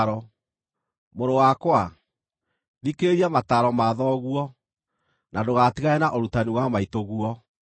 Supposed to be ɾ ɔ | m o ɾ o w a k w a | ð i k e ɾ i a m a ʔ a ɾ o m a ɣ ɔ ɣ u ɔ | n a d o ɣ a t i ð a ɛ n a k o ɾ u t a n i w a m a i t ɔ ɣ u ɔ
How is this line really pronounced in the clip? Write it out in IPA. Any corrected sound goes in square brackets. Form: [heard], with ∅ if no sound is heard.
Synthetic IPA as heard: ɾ ɔ | m o ɾ o w a k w a | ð i k e ɾ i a m a [t] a ɾ [ɔ] m a [ð] ɔ ɣ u ɔ | n a d o ɣ a t i [ɣ] a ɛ n a [ʔ] o ɾ u t a n i w a m a i t [o] ɣ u ɔ

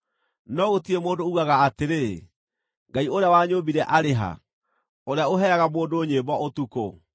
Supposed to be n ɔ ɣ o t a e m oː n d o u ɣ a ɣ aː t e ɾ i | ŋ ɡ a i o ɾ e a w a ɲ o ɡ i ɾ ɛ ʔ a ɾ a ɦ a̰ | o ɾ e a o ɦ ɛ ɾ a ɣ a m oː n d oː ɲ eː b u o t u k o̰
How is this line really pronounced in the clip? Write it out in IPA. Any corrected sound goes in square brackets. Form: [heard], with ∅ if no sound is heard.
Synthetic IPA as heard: n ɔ ɣ o t [i] e m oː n d o u ɣ a ɣ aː t e ɾ [e] | ŋ ɡ a i o ɾ e a w a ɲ o [b] i ɾ ɛ ʔ a ɾ [e] ɦ a̰ | o ɾ e a o ɦ ɛ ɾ a ɣ a m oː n d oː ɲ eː b [ɔ] o t u k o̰

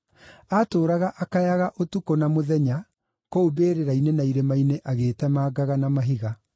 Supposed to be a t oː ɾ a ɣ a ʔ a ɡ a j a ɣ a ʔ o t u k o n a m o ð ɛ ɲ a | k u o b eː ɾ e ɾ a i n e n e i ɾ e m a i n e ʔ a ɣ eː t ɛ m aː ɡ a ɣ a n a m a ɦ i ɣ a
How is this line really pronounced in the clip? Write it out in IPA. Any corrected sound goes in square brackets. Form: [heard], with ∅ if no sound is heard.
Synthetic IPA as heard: a t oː ɾ a ɣ a ʔ a [k] a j a ɣ a ʔ o t u k o n a m o ð ɛ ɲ a | k [o] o b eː ɾ e ɾ a i n e n [a] i ɾ e m a i n e ʔ a ɣ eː t ɛ m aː ɡ a ɣ a n a m a ɦ i ɣ a

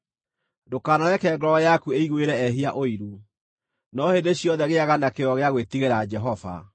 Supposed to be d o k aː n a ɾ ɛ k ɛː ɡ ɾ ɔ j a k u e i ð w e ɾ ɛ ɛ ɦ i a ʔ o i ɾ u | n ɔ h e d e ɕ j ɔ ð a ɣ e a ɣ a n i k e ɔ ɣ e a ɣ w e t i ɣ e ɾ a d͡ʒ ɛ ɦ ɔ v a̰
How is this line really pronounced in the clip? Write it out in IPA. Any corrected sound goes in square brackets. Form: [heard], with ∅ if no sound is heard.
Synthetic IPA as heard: d o k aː n a ɾ ɛ k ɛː ɡ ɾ ɔ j a k u e i [ɣ] w e ɾ ɛ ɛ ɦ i a ʔ o i ɾ u | n ɔ h e d e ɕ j ɔ ð [ɛ] ɣ e a ɣ a n [a] k e ɔ ɣ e a ɣ w e t i ɣ e ɾ a d͡ʒ ɛ ɦ ɔ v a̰

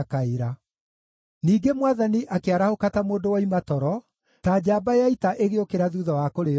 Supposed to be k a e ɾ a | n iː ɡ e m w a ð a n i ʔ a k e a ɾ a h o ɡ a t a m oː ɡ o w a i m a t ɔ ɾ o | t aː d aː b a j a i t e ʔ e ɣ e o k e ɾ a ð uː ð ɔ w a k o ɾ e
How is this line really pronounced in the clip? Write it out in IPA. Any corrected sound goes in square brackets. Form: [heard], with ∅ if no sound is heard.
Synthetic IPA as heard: k a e ɾ a | n iː ɡ e m w a ð a n i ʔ a k e a ɾ a h o [k] a t a m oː [d] o w a i m a t ɔ ɾ [ɔ] | t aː [d͡ʑ] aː b a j a i t [a] ʔ e ɣ e o k e ɾ a ð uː ð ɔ w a k o ɾ e

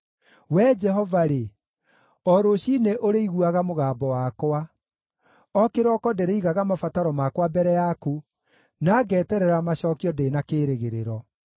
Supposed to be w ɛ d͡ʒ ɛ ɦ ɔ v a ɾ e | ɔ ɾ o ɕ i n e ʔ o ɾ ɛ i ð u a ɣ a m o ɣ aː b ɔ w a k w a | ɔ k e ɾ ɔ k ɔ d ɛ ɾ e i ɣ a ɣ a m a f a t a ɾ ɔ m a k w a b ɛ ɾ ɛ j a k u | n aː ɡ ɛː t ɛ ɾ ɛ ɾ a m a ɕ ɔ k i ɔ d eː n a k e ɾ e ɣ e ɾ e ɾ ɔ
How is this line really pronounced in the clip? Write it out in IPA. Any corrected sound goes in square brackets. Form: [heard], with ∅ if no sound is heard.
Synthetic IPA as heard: w ɛ d͡ʒ ɛ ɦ ɔ v a ɾ e | ɔ ɾ o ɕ i n e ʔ o ɾ [e] i [ɣ] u a ɣ a m o ɣ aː b ɔ w a k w a | ɔ k e ɾ ɔ k ɔ d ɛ ɾ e i ɣ a ɣ a m a f a t a ɾ ɔ m a k w a b ɛ ɾ ɛ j a k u | n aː ɡ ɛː t ɛ ɾ ɛ ɾ a m a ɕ ɔ k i ɔ d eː n a k e ɾ e ɣ e ɾ e ɾ ɔ

